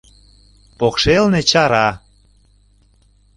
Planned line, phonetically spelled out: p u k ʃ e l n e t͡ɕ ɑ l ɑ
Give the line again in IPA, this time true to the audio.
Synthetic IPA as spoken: p o k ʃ e l n e t͡ɕ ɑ ɾ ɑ